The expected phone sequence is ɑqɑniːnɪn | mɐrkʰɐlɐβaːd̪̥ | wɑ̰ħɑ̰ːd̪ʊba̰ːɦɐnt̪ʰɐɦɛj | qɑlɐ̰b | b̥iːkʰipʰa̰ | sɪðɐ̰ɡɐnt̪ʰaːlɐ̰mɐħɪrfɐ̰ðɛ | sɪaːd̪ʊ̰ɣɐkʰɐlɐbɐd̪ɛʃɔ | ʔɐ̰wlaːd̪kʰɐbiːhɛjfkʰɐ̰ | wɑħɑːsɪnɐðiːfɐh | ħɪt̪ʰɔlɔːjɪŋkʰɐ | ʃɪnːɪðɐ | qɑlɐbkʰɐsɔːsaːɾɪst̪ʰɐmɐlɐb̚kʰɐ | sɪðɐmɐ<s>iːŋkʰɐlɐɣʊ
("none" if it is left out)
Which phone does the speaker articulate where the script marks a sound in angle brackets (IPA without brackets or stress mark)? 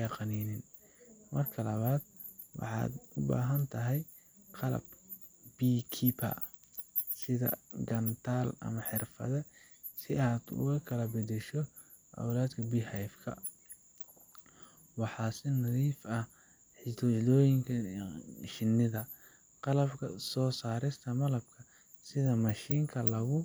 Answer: ʃ